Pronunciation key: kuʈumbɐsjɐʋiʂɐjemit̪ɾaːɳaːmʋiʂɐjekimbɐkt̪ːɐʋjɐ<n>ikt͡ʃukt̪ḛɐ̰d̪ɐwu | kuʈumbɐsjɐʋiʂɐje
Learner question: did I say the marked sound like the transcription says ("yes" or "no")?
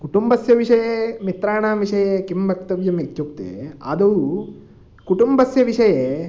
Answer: no